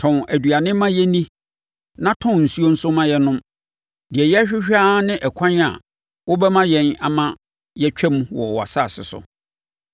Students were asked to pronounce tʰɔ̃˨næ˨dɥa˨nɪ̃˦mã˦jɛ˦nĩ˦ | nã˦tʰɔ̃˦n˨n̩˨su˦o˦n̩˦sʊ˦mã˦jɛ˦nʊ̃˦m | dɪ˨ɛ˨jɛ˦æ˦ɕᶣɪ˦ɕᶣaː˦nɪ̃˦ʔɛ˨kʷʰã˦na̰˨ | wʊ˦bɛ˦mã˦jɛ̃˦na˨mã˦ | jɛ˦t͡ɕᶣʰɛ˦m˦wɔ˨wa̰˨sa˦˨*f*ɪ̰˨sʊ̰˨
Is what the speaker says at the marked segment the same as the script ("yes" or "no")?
no